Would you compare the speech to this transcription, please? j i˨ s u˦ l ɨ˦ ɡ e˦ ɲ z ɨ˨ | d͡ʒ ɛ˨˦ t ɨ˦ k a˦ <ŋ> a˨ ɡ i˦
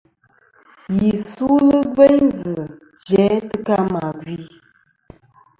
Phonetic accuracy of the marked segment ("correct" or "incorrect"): incorrect